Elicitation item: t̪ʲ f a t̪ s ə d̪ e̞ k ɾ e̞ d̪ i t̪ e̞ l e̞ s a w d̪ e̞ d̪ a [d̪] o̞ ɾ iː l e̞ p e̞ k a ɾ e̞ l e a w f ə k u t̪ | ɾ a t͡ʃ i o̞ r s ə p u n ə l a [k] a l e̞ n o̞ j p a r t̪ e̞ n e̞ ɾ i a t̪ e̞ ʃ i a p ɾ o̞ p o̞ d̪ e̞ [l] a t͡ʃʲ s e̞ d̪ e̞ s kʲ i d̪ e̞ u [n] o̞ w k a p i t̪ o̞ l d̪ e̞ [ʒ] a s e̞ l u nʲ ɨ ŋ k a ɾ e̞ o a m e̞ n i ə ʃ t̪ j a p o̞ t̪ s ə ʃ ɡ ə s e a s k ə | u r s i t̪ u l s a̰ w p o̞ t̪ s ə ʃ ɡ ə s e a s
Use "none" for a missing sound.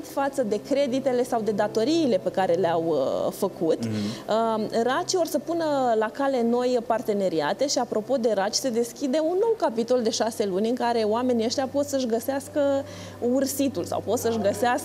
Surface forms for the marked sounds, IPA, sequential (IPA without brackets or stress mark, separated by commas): t̪, k, ɾ, nː, ʃ